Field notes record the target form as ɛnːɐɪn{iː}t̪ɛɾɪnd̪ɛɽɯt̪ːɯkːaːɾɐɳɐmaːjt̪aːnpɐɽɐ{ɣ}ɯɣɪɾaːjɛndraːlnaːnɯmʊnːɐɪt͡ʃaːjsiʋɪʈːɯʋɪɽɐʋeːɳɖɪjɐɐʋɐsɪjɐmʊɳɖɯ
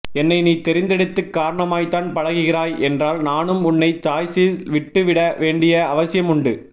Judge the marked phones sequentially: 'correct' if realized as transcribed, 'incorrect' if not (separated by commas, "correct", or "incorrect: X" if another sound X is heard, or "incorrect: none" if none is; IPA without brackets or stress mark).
correct, correct